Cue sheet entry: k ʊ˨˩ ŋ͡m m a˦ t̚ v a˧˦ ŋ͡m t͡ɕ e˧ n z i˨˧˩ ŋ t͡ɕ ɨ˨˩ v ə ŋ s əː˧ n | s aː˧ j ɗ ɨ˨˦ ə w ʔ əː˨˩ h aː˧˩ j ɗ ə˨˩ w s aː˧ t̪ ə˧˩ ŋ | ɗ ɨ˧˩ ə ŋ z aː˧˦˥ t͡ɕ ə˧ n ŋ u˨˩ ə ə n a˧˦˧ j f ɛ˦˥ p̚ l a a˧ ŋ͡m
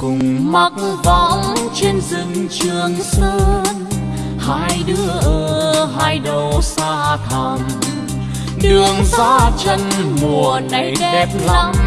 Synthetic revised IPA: k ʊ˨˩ ŋ͡m m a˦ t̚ v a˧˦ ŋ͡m t͡ɕ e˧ n z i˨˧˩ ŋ t͡ɕ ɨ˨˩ ə ŋ s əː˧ n | h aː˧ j ɗ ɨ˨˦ ə ʔ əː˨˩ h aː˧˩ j ɗ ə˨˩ w s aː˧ t̪ʰ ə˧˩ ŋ | ɗ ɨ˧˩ ə ŋ z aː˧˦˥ t͡ɕ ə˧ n m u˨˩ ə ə n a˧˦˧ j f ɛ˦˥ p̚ l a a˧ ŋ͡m